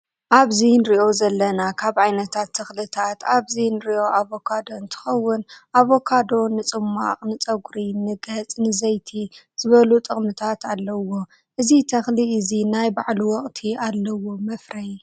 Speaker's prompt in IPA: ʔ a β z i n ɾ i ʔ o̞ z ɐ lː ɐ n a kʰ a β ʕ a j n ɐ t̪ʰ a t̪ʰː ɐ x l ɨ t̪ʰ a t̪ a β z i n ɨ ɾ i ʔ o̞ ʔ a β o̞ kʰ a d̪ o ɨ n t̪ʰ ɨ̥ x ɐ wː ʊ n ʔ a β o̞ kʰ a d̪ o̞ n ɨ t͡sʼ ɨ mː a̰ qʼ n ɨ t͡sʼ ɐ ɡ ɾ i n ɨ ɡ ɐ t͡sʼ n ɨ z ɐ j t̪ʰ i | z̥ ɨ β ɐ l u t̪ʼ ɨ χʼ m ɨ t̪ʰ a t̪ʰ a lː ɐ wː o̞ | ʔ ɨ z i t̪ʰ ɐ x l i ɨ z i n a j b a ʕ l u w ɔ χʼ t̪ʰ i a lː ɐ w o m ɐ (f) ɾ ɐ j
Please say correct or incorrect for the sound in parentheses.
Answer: correct